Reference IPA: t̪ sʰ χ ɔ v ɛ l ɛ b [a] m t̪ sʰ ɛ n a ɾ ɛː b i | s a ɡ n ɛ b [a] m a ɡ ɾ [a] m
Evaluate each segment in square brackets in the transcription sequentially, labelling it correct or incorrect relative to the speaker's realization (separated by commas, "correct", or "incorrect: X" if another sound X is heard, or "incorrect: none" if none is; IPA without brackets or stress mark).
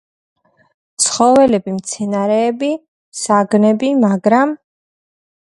incorrect: i, incorrect: i, correct